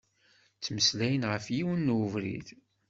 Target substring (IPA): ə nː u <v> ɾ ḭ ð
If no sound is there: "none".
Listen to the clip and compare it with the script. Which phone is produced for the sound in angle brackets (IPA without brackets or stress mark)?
v